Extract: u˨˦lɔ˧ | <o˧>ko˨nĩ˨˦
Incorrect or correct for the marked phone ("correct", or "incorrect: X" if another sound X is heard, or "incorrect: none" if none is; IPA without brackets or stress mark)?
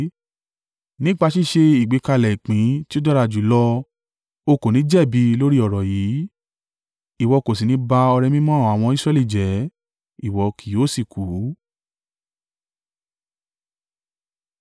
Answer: correct